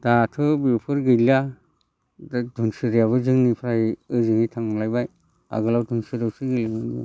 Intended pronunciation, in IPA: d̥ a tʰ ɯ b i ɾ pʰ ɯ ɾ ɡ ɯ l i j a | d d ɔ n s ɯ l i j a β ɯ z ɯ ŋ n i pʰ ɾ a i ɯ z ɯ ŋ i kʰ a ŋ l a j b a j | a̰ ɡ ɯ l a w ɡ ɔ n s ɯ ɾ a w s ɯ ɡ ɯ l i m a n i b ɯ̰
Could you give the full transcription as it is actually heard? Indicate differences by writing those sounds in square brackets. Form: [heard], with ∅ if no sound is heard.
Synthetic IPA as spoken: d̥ a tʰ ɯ b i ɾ pʰ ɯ ɾ ɡ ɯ l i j a | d d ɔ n s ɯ [ɾ] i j a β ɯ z ɯ ŋ n i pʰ ɾ a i ɯ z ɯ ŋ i [tʰ] a ŋ l a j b a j | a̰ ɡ ɯ l a w [d] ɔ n s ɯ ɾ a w s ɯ ɡ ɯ l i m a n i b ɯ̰